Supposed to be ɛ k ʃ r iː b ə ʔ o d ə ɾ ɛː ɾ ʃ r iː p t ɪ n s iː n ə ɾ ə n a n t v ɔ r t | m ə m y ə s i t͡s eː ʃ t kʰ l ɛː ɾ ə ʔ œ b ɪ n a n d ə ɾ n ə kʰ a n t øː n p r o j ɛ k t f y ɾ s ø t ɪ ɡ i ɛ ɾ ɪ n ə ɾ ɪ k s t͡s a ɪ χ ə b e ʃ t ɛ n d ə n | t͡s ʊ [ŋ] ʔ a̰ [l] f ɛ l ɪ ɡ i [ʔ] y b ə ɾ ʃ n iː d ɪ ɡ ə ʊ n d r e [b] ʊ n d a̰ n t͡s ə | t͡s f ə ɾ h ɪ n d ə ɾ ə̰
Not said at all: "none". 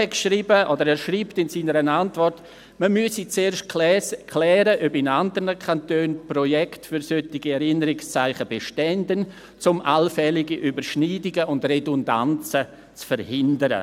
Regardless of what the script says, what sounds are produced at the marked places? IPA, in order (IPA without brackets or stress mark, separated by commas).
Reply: m, l, ʔ, d